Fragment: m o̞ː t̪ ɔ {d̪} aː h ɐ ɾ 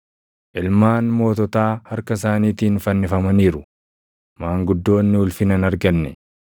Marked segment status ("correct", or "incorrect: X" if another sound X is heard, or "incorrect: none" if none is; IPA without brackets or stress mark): incorrect: t̪